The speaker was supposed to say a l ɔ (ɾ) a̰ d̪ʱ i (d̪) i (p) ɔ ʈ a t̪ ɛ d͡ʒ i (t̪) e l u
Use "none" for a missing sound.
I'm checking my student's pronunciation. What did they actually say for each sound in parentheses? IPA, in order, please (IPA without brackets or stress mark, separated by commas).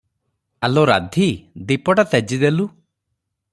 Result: ɾ, d̪, p, d̪